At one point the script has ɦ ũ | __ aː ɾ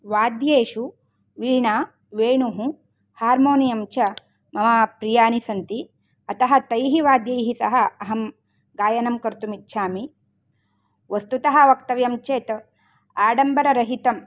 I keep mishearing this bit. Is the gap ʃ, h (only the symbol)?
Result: h